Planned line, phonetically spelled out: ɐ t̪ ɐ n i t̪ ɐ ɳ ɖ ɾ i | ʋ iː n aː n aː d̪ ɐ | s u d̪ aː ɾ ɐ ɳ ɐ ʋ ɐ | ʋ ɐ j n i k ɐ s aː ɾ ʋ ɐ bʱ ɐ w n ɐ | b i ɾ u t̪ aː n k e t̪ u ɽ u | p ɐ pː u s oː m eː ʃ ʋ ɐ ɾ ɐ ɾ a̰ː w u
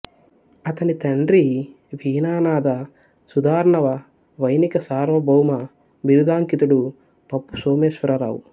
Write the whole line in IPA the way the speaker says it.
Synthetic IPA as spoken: ɐ t̪ ɐ n i t̪ ɐ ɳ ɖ ɾ i | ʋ iː n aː n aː d̪ ɐ | s u d̪ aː ɾ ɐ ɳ ɐ ʋ ɐ | ʋ ɐ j n i k ɐ s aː ɾ ʋ ɐ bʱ ɐ w m ɐ | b i ɾ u d̪ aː ŋ k i t̪ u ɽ u | p ɐ pː u s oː m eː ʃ ʋ ɐ ɾ ɐ ɾ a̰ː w u

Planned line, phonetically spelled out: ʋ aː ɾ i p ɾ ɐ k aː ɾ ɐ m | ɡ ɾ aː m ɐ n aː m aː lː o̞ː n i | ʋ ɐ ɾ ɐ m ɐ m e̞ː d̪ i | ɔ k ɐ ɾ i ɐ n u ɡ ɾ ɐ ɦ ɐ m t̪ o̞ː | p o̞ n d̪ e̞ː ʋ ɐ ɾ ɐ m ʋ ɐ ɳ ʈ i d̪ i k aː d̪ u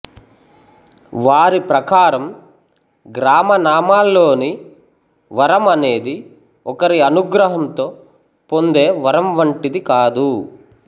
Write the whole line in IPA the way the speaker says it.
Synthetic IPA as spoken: ʋ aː ɾ i p ɾ ɐ k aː ɾ ɐ m | ɡ ɾ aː m ɐ n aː m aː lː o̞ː n i | ʋ ɐ ɾ ɐ m ɐ n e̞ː d̪ i | ɔ k ɐ ɾ i ɐ n u ɡ ɾ ɐ ɦ ɐ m t̪ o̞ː | p o̞ n d̪ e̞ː ʋ ɐ ɾ ɐ m ʋ ɐ ɳ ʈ i d̪ i k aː d̪ u

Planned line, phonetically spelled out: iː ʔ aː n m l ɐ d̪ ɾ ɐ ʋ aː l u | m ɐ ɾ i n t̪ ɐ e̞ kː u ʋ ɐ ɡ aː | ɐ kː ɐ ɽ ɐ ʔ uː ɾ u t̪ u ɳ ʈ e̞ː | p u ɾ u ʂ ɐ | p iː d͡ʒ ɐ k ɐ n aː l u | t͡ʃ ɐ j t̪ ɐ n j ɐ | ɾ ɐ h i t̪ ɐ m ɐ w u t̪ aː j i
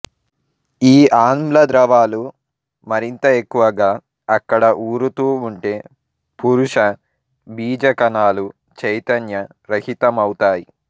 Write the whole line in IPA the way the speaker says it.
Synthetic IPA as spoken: iː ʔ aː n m l ɐ d̪ ɾ ɐ ʋ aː l u | m ɐ ɾ i n t̪ ɐ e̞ kː u ʋ ɐ ɡ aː | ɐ kː ɐ ɽ ɐ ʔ uː ɾ u t̪ uː ɳ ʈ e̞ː | p u ɾ u ʂ ɐ | b iː d͡ʒ ɐ k ɐ n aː l u | t͡ʃ ɐ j t̪ ɐ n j ɐ | ɾ ɐ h i t̪ ɐ m ɐ w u t̪ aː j i

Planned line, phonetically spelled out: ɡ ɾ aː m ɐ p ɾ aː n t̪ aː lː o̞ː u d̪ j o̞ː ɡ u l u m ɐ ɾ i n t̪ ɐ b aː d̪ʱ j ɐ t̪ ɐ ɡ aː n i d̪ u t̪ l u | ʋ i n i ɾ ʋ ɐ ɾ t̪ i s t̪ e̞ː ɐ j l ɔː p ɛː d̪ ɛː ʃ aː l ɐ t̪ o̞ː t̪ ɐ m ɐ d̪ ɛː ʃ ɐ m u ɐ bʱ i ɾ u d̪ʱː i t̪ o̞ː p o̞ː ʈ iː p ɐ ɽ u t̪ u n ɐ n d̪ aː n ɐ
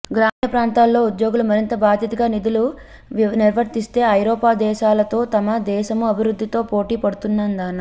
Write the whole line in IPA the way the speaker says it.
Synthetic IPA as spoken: ɡ ɾ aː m ɐ p ɾ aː n t̪ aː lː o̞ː u d̪ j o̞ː ɡ u l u m ɐ ɾ i n t̪ ɐ b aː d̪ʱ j ɐ t̪ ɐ ɡ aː n i d̪ u l u | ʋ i n i ɾ ʋ ɐ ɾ t̪ i s t̪ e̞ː ɐ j ɾ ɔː p aː d̪ ɛː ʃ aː l ɐ t̪ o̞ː t̪ ɐ m ɐ d̪ ɛː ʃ ɐ m u ɐ bʱ i ɾ u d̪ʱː i t̪ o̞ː p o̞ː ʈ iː p ɐ ɽ u t̪ u nː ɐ n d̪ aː n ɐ

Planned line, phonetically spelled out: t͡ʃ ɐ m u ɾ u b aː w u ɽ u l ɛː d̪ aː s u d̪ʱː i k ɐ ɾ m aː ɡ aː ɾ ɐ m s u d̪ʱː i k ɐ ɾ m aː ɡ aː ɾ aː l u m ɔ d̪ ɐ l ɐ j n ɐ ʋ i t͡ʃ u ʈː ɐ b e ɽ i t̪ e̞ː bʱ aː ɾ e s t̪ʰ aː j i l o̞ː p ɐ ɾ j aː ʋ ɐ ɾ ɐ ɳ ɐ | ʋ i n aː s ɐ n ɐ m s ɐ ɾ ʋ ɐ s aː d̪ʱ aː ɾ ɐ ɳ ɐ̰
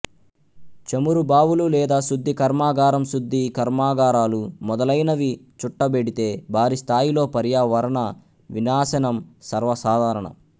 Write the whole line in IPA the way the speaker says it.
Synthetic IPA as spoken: t͡ʃ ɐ m u ɾ u b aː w u l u l ɛː d̪ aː s u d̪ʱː i k ɐ ɾ m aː ɡ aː ɾ ɐ m s u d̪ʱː i k ɐ ɾ m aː ɡ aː ɾ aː l u m ɔ d̪ ɐ l ɐ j n ɐ ʋ i t͡ʃ u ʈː ɐ b e ɽ i t̪ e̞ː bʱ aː ɾ i s t̪ʰ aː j i l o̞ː p ɐ ɾ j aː ʋ ɐ ɾ ɐ ɳ ɐ | ʋ i n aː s ɐ n ɐ m s ɐ ɾ ʋ ɐ s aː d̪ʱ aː ɾ ɐ ɳ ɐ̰

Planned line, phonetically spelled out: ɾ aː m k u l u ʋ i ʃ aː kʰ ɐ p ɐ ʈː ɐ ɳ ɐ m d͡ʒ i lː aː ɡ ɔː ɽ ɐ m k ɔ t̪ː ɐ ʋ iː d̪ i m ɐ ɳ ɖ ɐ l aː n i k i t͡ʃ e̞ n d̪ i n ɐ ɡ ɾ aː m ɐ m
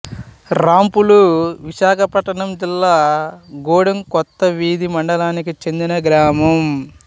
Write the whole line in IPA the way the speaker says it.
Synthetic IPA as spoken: ɾ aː m p u l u ʋ i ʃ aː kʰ ɐ p ɐ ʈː ɐ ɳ ɐ m d͡ʒ i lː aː ɡ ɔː ɽ ɐ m k ɔ t̪ː ɐ ʋ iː d̪ i m ɐ ɳ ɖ ɐ l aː n i k i t͡ʃ e̞ n d̪ i n ɐ ɡ ɾ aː m ɐ m

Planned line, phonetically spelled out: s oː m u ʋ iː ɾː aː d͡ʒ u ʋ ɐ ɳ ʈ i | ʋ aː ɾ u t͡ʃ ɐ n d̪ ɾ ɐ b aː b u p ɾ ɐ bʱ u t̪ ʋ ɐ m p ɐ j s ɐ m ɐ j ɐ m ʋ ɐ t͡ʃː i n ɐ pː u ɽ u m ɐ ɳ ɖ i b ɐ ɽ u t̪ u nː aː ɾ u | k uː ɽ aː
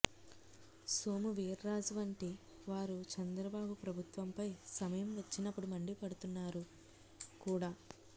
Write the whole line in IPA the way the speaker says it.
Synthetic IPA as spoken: s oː m u ʋ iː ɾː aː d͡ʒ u ʋ ɐ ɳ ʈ i | ʋ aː ɾ u t͡ʃ ɐ n d̪ ɾ ɐ b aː b u p ɾ ɐ bʱ u t̪ ʋ ɐ m p ɐ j s ɐ m ɐ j ɐ m ʋ ɐ t͡ʃː i n ɐ pː u ɽ u m ɐ ɳ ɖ i p ɐ ɽ u t̪ u nː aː ɾ u | k uː ɽ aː

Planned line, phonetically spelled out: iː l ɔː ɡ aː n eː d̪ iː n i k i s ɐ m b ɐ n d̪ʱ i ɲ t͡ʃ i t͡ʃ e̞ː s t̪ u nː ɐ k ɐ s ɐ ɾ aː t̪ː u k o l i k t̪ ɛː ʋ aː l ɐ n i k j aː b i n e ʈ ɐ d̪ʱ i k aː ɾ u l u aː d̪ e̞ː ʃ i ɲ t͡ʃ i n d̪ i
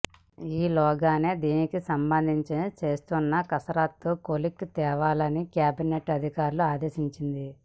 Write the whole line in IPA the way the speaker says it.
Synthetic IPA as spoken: iː l ɔː ɡ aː n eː d̪ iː n i k i s ɐ m b ɐ n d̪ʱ i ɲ t͡ʃ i t͡ʃ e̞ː s t̪ u nː ɐ k ɐ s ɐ ɾ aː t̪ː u k o l i k t̪ ɛː ʋ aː l ɐ n i k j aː b i n e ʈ ɐ d̪ʱ i k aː ɾ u l u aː d̪ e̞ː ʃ i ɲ t͡ʃ i n d̪ i

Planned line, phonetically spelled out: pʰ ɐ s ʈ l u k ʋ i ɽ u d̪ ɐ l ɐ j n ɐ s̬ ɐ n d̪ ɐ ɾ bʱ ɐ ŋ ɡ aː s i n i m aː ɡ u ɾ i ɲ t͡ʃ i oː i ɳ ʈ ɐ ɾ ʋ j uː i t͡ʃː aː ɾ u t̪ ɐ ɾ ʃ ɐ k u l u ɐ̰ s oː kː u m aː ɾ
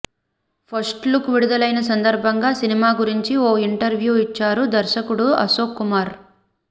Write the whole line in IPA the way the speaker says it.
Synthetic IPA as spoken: pʰ ɐ s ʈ l u k ʋ i ɽ u d̪ ɐ l ɐ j n ɐ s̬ ɐ n d̪ ɐ ɾ bʱ ɐ ŋ ɡ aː s i n i m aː ɡ u ɾ i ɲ t͡ʃ i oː i ɳ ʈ ɐ ɾ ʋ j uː i t͡ʃː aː ɾ u d̪ ɐ ɾ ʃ ɐ k u ɽ u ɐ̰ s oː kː u m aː ɾ

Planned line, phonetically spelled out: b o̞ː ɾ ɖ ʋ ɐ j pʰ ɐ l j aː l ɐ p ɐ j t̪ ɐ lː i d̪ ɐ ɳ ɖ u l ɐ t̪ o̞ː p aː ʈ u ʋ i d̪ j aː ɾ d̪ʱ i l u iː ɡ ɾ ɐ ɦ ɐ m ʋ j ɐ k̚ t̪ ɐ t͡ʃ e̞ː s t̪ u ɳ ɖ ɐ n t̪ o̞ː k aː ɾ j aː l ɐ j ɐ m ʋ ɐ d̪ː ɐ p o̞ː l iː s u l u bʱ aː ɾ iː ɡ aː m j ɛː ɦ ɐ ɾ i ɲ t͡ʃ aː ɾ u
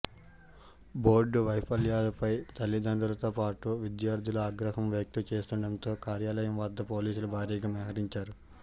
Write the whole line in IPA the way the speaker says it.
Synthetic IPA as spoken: b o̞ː ɾ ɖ ʋ ɐ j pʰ ɐ l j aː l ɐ p ɐ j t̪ ɐ lː i d̪ ɐ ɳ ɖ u l ɐ t̪ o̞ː p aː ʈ u ʋ i d̪ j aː ɾ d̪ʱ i l u aː ɡ ɾ ɐ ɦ ɐ m ʋ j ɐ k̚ t̪ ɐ t͡ʃ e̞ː s t̪ u ɳ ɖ ɐ n t̪ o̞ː k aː ɾ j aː l ɐ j ɐ m ʋ ɐ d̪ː ɐ p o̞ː l iː s u l u bʱ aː ɾ iː ɡ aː m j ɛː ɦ ɐ ɾ i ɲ t͡ʃ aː ɾ u

